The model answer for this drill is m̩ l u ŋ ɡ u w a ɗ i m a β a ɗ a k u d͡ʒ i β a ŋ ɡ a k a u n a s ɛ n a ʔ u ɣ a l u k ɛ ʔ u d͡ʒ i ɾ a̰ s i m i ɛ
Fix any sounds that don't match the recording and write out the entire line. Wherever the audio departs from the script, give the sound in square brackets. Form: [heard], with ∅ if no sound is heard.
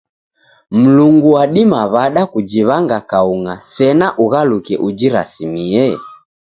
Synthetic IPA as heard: m̩ l u ŋ ɡ u w a ɗ i m a β a ɗ a k u d͡ʒ i β a ŋ ɡ a k a u [ŋ] a s ɛ n a ʔ u ɣ a l u k ɛ ʔ u d͡ʒ i ɾ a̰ s i m i ɛ